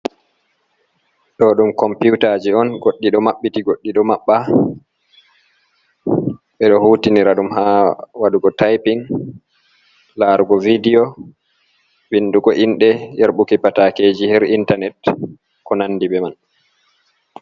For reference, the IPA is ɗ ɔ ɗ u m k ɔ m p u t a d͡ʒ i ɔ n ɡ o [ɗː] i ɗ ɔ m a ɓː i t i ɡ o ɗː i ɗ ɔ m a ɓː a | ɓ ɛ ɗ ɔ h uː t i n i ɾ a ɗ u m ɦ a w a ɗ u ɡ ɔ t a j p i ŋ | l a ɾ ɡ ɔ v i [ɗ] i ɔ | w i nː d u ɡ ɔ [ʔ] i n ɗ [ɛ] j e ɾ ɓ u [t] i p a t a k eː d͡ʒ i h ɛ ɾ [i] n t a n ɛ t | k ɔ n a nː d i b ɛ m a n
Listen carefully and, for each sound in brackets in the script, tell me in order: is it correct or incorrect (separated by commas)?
correct, incorrect, correct, correct, incorrect, correct